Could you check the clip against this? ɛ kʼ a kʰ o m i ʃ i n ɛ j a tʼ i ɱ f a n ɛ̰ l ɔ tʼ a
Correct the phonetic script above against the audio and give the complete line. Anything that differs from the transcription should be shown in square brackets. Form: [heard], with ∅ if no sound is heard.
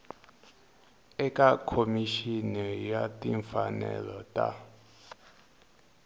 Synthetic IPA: ɛ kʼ a kʰ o m i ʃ i n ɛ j a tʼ i ɱ f a n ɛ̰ l ɔ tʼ a